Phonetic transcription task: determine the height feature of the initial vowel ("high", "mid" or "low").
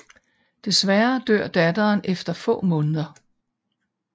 mid